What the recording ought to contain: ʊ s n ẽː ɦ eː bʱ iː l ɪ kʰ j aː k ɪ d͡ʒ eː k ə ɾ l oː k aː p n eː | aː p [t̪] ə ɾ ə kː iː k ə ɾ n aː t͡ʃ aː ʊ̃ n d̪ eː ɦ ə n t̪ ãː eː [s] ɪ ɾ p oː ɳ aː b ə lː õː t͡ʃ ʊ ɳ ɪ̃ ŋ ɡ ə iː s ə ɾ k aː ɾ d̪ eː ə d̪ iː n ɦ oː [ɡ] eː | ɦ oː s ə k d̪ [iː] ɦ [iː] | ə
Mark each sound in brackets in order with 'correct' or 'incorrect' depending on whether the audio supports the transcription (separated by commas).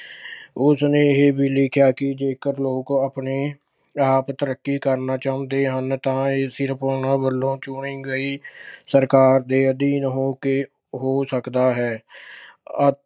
correct, correct, incorrect, incorrect, incorrect